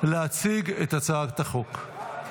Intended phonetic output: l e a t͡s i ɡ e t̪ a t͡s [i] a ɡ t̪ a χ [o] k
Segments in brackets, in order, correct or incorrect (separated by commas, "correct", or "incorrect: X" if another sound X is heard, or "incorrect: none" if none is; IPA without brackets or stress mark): incorrect: a, correct